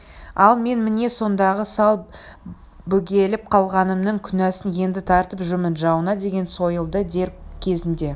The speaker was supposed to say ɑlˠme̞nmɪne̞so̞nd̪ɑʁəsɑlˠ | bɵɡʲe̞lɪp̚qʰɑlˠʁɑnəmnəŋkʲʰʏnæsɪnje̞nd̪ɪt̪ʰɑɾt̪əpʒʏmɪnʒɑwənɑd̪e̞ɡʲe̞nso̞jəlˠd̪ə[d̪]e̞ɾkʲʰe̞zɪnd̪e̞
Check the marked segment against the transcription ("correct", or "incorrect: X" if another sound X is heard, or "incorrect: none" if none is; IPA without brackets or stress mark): correct